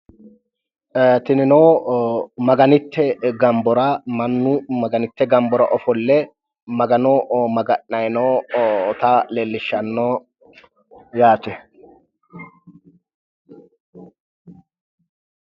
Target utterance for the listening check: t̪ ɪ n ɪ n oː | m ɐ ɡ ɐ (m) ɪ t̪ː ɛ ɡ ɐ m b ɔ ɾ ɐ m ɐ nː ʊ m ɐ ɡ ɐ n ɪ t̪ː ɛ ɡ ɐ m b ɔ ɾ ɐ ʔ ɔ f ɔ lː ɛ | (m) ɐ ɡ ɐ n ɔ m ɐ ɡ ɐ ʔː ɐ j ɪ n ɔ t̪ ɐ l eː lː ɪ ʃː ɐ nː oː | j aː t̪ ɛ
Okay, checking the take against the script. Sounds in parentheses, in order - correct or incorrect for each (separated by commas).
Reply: incorrect, correct